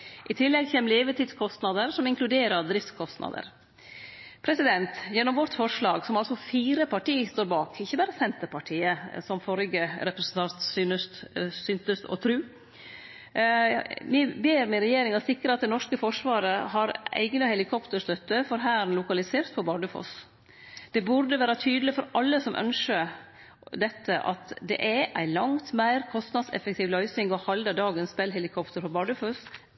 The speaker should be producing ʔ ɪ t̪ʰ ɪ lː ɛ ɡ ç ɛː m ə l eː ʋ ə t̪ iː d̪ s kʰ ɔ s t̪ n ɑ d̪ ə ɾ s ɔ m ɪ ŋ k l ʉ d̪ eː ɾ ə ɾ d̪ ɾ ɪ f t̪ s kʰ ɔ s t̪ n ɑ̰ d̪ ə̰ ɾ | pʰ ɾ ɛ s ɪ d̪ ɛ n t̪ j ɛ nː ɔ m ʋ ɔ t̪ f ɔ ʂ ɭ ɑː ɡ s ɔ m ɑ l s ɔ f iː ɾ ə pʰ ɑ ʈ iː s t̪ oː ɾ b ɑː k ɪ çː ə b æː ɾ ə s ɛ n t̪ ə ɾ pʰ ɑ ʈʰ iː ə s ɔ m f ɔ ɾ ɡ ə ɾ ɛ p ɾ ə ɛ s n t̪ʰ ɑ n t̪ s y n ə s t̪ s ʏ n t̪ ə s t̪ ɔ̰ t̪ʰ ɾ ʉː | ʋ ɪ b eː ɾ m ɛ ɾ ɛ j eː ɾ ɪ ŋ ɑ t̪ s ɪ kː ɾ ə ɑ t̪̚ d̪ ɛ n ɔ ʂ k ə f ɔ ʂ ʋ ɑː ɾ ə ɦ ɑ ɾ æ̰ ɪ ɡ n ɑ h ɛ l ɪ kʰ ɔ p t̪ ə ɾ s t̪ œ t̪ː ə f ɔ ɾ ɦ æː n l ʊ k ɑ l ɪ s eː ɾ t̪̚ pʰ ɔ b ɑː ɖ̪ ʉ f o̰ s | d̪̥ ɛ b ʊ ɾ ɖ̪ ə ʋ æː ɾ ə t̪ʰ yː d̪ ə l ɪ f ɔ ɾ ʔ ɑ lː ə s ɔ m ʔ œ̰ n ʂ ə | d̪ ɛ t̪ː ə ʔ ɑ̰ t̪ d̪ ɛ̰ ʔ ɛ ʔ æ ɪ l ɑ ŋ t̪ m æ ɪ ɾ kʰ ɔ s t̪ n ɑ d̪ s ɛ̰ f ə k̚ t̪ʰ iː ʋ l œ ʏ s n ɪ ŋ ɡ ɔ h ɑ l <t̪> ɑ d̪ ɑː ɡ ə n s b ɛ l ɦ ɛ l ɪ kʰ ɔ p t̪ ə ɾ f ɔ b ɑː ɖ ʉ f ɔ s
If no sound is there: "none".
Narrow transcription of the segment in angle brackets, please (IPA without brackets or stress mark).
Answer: d̪